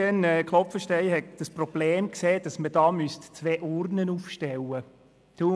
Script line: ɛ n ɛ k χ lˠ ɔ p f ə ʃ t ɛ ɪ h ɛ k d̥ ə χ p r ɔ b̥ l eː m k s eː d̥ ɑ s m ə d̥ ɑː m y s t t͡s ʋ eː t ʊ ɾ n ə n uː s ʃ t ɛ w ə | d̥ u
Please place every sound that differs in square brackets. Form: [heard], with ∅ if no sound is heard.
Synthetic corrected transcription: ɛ n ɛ k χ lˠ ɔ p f ə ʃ t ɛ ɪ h ɛ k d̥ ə [s] p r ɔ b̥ l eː m k s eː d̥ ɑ s m ə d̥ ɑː m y s t t͡s ʋ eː [ʔ] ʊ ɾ n ə n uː [f] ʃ t ɛ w ə | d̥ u